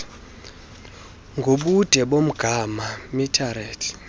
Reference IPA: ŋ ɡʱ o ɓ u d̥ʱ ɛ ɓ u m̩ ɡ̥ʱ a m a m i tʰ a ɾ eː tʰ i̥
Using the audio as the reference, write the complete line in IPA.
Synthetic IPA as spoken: ŋ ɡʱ o ɓ u d̥ʱ ɛ ɓ o m̩ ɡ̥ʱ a m a m i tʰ a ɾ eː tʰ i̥